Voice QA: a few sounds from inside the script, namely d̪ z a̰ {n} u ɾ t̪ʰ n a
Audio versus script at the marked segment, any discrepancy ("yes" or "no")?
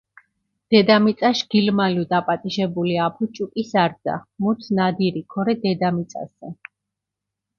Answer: yes